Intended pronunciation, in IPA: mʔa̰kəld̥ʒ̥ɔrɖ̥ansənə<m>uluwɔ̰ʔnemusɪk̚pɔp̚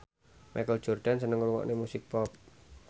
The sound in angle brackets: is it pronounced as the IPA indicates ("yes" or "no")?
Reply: no